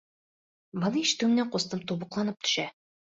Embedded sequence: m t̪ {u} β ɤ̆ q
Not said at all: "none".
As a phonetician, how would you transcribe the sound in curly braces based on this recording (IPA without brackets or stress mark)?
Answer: u